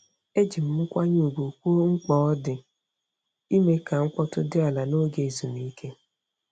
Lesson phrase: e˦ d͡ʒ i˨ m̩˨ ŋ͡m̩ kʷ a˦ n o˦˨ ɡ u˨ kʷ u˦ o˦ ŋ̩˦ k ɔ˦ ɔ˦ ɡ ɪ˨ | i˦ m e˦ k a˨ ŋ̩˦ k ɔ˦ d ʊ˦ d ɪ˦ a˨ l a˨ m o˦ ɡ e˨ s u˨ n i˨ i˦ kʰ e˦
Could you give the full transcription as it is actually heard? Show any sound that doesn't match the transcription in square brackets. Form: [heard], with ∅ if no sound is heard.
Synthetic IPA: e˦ d͡ʒ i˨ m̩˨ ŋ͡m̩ kʷ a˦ [ɲ] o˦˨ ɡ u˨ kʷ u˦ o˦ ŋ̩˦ [k͡p] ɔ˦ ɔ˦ [d] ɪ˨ | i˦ m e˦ k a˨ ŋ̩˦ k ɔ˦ [t] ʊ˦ d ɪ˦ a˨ l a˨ [n] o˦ ɡ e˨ [z] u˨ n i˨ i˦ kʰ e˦